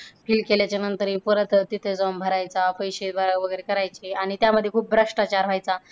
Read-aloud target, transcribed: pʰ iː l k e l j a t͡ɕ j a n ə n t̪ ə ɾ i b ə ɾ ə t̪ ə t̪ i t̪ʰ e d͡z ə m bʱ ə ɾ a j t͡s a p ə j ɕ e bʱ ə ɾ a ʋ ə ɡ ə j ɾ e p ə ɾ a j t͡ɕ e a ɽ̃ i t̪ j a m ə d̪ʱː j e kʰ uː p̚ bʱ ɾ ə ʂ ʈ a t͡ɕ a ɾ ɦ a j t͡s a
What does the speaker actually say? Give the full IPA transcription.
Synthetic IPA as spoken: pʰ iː l k e l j a t͡ɕ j a n ə n t̪ ə ɾ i p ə ɾ ə t̪ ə t̪ i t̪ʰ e d͡z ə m bʱ ə ɾ a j t͡s a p ə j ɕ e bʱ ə ɾ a ʋ ə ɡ ə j ɾ e k ə ɾ a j t͡ɕ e a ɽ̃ i t̪ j a m ə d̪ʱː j e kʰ uː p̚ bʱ ɾ ə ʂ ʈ a t͡ɕ a ɾ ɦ a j t͡s a